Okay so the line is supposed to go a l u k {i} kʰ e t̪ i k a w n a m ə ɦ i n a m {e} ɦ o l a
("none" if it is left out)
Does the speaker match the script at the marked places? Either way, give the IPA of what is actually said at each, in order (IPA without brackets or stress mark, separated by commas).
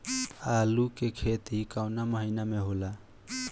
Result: e, e